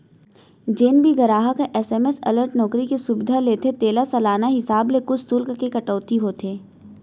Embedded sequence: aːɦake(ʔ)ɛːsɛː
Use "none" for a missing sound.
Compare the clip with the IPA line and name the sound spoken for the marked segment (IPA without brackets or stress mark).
ʔ